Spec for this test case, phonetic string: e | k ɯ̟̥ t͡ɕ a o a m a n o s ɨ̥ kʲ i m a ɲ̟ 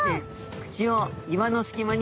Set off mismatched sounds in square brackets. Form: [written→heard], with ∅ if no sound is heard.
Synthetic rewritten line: e | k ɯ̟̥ t͡ɕ [a→i] o [a→i] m a n o s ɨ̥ kʲ i m a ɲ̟